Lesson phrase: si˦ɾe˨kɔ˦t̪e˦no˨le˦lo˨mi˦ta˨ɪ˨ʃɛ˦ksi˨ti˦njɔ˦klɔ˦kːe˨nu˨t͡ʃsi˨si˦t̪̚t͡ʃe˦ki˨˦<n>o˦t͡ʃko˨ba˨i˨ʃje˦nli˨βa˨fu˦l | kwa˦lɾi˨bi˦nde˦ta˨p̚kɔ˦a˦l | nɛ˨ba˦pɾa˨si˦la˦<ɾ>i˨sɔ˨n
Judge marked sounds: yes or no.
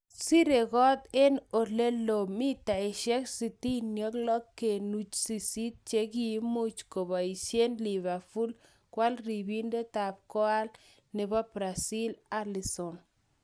no, no

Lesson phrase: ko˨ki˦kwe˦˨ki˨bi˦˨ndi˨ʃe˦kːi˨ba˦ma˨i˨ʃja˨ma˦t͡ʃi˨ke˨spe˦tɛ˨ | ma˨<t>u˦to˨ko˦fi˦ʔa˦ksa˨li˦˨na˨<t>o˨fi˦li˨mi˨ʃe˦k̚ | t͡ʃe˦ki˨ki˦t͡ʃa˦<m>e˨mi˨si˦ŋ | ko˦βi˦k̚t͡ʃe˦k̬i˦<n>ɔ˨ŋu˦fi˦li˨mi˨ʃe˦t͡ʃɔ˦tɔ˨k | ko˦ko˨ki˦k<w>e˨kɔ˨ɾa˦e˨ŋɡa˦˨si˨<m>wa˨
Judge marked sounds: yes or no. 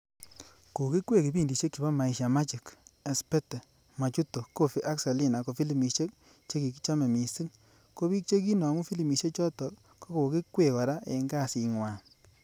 no, no, yes, yes, yes, no

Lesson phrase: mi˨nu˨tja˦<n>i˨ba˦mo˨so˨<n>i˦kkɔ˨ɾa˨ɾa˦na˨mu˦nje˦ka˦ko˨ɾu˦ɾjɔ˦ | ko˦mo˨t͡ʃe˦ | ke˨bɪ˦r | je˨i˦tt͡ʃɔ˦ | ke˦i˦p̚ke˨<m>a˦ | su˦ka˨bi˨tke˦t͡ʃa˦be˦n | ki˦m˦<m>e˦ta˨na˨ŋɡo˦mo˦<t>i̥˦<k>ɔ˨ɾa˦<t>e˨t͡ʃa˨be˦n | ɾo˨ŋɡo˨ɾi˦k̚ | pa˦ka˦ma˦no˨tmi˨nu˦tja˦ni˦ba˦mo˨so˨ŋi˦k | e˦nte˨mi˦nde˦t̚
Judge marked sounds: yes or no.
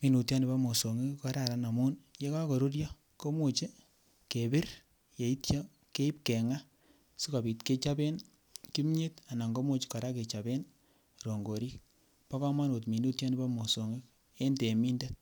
yes, no, no, no, no, yes, no

